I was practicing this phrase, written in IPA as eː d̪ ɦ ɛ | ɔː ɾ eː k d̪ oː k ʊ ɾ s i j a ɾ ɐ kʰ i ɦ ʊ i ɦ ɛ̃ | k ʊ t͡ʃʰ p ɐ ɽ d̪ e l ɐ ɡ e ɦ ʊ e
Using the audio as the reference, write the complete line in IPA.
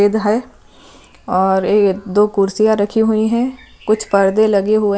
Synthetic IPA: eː d̪ ɦ ɛ | ɔː ɾ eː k d̪ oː k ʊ ɾ s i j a ɾ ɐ kʰ i ɦ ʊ i ɦ ɛ̃ | k ʊ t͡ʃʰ p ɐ ɾ d̪ e l ɐ ɡ e ɦ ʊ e

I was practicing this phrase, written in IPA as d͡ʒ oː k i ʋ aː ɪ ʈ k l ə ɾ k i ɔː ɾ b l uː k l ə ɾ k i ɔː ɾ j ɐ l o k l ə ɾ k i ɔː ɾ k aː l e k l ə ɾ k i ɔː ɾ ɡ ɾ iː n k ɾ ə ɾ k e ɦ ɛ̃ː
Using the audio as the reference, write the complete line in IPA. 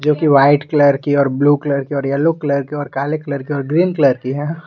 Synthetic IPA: d͡ʒ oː k i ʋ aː ɪ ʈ k l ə ɾ k i ɔː ɾ b l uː k l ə ɾ k i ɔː ɾ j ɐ l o k l ə ɾ k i ɔː ɾ k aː l e k l ə ɾ k i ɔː ɾ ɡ ɾ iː n k l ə ɾ k i ɦ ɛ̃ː

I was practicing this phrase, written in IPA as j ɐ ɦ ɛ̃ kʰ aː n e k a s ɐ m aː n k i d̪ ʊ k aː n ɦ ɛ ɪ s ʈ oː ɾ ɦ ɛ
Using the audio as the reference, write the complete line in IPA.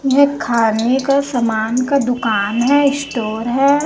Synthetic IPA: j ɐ ɦ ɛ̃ kʰ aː n e k a s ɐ m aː n k a d̪ ʊ k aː n ɦ ɛ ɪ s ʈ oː ɾ ɦ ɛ

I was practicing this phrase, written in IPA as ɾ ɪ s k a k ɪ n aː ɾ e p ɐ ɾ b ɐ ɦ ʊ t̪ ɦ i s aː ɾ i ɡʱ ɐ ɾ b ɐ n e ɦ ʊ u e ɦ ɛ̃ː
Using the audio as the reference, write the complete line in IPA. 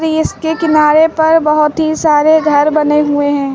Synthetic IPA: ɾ ɪ s k e k ɪ n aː ɾ e p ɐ ɾ b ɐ ɦ ʊ t̪ ɦ i s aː ɾ e ɡʱ ɐ ɾ b ɐ n e ɦ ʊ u e ɦ ɛ̃ː

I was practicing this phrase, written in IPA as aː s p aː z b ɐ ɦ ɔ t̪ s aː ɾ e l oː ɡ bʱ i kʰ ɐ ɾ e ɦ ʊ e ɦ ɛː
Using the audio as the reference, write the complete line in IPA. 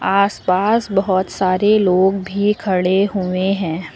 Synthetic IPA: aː s p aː s b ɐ ɦ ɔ t̪ s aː ɾ e l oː ɡ bʱ i kʰ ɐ ɽ e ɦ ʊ e ɦ ɛ̃ː

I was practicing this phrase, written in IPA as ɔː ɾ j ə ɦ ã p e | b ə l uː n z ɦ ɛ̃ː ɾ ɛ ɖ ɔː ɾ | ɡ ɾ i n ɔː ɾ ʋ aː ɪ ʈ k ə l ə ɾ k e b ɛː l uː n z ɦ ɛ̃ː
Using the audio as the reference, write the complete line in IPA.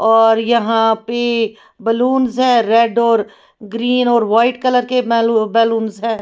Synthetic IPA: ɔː ɾ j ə ɦ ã p e | b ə l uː n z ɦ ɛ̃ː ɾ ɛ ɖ ɔː ɾ | ɡ ɾ iː n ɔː ɾ ʋ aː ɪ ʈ k ə l ə ɾ k e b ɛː l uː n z ɦ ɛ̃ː

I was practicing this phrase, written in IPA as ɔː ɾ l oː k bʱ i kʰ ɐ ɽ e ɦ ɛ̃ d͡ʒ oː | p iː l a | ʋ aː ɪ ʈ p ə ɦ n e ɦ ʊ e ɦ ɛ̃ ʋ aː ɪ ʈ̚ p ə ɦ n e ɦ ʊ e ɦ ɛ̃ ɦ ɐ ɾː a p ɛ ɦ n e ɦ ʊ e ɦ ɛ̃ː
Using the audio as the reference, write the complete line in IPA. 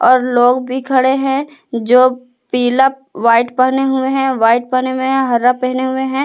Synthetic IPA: ɔː ɾ l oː ɡ bʱ i kʰ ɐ ɽ e ɦ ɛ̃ d͡ʒ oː | p iː l a | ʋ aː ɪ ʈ p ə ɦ n e ɦ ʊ e ɦ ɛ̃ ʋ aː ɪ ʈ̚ p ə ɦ n e ɦ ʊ e ɦ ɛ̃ ɦ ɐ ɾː a p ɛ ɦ n e ɦ ʊ e ɦ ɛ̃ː

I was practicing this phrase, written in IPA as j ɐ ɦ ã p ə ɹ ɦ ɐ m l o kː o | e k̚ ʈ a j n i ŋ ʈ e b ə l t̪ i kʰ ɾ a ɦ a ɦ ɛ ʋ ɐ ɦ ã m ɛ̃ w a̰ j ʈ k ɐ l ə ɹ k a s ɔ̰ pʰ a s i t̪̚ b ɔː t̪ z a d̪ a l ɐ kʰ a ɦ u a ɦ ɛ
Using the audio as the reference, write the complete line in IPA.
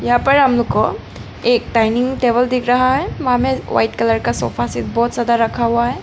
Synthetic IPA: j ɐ ɦ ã p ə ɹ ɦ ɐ m l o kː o | e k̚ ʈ a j n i ŋ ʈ e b ə l d̪ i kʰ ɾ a ɦ a ɦ ɛ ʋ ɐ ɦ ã m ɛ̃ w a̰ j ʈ k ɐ l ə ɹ k a s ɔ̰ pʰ a s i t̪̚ b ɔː t̪ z a d̪ a ɾ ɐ kʰ a ɦ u a ɦ ɛ

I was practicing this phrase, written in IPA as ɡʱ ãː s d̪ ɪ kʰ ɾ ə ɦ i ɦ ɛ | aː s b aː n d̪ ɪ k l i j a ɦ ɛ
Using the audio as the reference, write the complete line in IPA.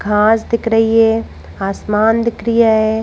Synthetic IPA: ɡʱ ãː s d̪ ɪ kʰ ɾ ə ɦ i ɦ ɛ | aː s m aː n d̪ ɪ k ɾ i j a ɦ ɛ

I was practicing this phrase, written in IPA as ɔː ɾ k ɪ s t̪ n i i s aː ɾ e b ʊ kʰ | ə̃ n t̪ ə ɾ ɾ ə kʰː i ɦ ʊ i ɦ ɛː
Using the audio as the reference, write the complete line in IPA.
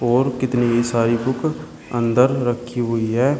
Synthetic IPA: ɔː ɾ k ɪ t̪ n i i s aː ɾ i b ʊ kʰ | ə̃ n d̪ ə ɾ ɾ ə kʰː i ɦ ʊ i ɦ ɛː

